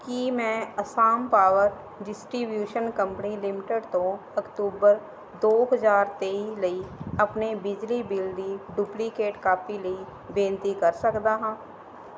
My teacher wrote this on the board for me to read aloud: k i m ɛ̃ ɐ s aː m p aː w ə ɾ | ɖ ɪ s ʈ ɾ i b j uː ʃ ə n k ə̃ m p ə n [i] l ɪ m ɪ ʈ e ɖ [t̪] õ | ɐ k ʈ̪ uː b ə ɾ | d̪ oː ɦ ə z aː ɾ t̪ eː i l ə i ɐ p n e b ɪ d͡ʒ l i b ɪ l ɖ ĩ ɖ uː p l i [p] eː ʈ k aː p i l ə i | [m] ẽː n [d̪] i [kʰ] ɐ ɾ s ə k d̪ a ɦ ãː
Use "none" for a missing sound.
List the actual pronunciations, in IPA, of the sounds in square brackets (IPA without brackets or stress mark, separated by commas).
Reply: i, t̪, k, b, t̪, k